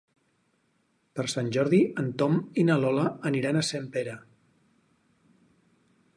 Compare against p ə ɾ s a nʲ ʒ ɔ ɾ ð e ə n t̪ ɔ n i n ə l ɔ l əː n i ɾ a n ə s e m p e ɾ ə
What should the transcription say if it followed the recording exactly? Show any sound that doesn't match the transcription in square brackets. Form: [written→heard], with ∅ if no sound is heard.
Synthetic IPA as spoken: p ə ɾ s a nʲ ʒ ɔ ɾ ð [e→i] ə n t̪ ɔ [n→m] i n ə l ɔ l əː n i ɾ a n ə s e m p e ɾ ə